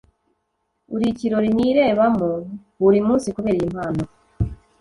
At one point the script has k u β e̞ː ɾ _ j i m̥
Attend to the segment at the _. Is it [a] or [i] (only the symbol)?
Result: i